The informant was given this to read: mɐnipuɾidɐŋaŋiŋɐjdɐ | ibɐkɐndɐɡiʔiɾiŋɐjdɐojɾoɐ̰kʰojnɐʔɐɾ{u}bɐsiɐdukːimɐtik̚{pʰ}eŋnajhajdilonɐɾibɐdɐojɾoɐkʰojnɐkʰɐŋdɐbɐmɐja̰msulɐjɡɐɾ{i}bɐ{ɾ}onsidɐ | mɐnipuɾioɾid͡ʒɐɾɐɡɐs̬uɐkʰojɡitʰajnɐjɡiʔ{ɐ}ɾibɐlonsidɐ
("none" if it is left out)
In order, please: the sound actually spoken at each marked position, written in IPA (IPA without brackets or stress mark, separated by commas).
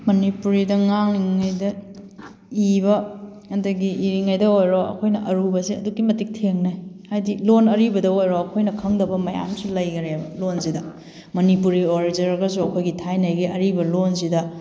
u, tʰ, e, l, ɐ